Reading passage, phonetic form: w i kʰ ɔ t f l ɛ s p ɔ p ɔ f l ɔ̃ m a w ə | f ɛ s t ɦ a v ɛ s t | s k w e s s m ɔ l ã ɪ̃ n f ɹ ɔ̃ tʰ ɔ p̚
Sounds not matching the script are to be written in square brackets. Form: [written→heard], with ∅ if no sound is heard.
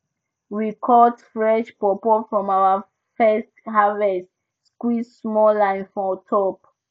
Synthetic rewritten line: w i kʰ ɔ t f [l→ɹ] ɛ [s→ʃ] p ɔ p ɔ f [l→ɹ] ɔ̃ m a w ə | f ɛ s t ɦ a v ɛ s t | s k w [e→i] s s m ɔ l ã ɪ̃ n f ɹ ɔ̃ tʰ ɔ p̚